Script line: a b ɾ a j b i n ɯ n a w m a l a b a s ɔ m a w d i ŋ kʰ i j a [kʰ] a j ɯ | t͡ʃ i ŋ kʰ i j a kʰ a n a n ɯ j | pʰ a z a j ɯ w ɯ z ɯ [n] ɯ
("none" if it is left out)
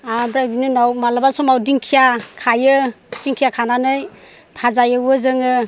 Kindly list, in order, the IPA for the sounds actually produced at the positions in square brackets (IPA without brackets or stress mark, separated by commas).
kʰ, ŋ